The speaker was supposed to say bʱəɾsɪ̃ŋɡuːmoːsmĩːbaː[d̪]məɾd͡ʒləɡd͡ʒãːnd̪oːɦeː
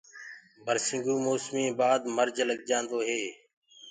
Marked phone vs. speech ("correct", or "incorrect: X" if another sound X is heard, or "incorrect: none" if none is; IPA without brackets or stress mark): correct